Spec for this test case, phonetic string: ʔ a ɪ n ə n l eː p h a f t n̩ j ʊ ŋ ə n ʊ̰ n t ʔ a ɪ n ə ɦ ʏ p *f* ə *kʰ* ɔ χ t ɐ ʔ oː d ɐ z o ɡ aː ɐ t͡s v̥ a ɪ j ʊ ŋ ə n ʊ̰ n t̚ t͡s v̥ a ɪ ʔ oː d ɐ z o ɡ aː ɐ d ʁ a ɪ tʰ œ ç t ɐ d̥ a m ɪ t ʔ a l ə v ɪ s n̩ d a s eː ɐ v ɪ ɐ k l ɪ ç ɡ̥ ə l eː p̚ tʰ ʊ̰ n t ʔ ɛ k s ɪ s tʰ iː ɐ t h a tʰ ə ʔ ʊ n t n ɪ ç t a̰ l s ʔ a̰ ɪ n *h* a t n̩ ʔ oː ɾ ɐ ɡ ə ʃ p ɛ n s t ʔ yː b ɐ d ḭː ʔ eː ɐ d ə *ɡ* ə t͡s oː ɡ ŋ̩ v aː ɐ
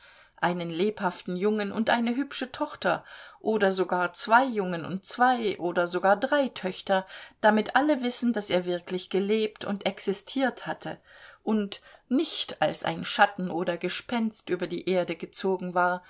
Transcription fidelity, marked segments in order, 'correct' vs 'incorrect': incorrect, incorrect, incorrect, correct

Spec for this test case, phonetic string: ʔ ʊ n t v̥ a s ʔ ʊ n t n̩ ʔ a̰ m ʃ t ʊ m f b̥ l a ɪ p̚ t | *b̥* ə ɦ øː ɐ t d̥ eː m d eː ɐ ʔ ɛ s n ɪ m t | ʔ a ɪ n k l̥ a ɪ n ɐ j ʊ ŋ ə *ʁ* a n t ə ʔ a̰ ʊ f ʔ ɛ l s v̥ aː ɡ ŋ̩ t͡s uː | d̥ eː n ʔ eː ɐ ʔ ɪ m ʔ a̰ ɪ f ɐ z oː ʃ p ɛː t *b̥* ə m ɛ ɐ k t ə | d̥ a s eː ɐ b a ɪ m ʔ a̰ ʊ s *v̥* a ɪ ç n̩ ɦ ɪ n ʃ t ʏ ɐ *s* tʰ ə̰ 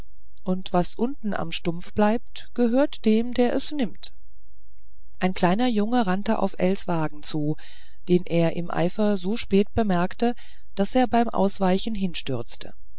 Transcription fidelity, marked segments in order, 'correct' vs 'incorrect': incorrect, correct, correct, correct, incorrect

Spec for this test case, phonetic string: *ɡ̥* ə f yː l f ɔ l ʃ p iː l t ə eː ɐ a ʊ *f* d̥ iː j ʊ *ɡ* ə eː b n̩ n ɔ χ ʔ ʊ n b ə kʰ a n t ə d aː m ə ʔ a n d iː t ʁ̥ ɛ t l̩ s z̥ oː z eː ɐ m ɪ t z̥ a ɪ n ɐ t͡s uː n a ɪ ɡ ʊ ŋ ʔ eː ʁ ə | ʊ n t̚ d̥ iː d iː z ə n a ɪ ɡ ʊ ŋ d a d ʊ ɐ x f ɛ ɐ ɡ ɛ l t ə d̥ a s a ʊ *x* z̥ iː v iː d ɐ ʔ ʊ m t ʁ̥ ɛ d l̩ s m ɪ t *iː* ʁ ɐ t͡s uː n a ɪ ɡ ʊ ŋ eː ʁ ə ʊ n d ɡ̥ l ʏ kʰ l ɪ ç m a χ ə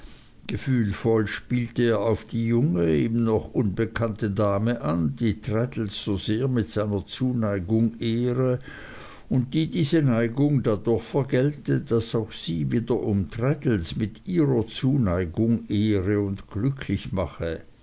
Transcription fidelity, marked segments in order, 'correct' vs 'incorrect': correct, correct, incorrect, correct, correct

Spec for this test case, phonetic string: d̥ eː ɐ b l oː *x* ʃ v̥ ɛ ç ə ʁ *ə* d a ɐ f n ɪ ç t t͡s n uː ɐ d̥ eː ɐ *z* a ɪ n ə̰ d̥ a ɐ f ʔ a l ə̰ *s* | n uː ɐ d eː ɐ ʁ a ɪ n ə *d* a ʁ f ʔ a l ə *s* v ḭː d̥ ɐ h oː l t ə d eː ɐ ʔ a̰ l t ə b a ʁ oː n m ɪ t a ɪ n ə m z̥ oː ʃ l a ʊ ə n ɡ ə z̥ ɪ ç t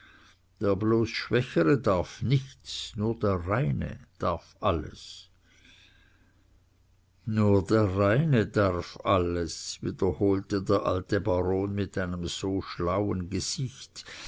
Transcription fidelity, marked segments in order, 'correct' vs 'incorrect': incorrect, correct, incorrect, correct, correct, correct

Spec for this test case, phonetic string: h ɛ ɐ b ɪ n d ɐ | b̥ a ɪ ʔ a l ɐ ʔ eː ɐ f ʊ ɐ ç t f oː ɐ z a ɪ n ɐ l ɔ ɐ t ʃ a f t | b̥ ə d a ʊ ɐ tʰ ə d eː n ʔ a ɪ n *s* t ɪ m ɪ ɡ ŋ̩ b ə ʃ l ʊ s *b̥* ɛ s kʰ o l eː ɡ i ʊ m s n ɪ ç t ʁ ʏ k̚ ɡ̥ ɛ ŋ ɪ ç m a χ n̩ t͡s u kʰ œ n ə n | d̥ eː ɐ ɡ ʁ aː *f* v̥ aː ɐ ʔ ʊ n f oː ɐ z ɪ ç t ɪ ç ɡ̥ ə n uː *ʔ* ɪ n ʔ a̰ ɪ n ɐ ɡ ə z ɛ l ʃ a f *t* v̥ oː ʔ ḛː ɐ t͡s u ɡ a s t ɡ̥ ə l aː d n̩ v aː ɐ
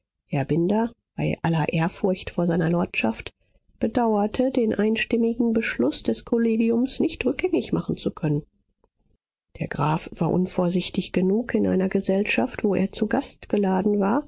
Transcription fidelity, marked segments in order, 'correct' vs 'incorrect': incorrect, incorrect, correct, incorrect, correct

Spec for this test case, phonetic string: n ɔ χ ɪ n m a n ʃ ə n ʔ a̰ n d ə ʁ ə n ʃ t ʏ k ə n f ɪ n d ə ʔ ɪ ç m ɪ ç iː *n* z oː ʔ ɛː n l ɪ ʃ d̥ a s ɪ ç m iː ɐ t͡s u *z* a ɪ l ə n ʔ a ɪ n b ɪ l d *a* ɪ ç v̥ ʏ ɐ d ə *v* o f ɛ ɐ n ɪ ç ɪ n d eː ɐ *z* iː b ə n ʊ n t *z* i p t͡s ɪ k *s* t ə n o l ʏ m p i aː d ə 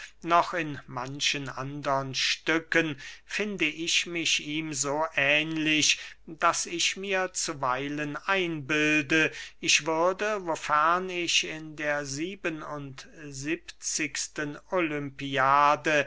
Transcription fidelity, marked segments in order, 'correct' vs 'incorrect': incorrect, incorrect, incorrect, correct, correct, correct, correct

